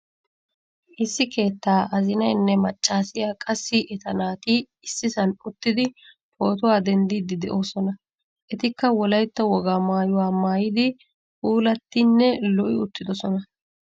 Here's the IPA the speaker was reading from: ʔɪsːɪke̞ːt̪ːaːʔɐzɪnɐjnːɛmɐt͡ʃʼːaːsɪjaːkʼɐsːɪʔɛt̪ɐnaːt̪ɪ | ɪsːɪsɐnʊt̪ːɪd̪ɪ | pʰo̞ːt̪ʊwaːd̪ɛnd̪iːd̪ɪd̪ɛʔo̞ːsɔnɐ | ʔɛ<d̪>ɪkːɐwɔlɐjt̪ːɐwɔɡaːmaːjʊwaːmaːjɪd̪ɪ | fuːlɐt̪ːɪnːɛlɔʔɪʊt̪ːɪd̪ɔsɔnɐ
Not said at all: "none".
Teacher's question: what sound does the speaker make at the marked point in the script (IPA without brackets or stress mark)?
t̪